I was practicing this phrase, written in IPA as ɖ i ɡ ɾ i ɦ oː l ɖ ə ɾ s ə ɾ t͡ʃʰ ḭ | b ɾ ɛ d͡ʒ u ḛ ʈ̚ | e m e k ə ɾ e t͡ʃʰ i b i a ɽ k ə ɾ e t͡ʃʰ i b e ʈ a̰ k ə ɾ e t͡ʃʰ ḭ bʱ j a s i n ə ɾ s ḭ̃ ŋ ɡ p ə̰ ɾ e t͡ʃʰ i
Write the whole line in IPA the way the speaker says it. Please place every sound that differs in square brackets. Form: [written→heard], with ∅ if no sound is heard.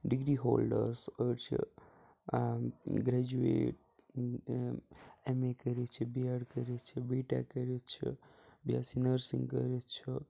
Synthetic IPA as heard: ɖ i ɡ ɾ i ɦ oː l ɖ ə ɾ s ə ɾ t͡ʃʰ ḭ | [b→ɡ] ɾ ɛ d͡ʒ u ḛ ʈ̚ | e m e k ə ɾ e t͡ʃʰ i b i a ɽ k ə ɾ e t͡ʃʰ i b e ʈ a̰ k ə ɾ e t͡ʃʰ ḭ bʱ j a s i n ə ɾ s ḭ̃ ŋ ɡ [p→k] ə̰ ɾ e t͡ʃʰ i